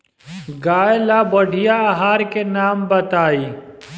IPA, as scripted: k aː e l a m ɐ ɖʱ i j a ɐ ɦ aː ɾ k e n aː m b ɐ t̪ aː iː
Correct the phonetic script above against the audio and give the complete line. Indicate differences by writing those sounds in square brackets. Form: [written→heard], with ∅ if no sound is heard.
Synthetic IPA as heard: [k→ɡ] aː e l a [m→b] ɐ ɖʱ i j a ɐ ɦ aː ɾ k e n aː m b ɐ t̪ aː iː